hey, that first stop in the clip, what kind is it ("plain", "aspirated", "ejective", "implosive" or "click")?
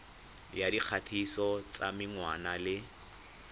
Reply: plain